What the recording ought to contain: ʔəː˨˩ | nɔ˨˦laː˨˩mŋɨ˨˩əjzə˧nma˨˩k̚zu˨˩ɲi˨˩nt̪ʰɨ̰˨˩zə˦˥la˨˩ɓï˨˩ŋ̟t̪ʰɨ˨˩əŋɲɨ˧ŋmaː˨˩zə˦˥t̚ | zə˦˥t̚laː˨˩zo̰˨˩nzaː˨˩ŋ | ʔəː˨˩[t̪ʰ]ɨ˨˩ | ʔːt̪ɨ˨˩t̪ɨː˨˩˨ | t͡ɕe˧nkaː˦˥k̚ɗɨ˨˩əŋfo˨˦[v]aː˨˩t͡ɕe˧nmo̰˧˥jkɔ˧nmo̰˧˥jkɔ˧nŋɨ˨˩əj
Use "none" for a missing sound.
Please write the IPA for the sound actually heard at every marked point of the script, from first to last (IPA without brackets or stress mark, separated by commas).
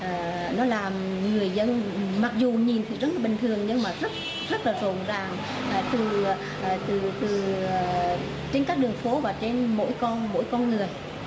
t̪, v